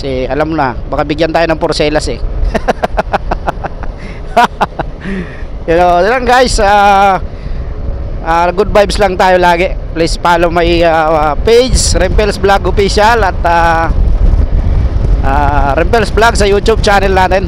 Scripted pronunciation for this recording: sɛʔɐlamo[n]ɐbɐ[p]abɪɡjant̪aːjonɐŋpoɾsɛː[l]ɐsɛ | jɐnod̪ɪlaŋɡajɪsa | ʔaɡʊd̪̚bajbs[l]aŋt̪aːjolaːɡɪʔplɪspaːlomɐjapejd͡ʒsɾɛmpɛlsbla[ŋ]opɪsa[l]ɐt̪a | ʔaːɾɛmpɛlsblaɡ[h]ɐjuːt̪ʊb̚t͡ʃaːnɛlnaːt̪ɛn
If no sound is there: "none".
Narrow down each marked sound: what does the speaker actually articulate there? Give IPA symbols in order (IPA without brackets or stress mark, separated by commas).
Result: n, k, l, l, ɡ, l, s